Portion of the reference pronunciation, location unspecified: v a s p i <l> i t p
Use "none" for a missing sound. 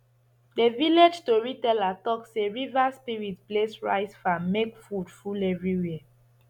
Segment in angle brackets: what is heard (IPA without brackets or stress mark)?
ɹ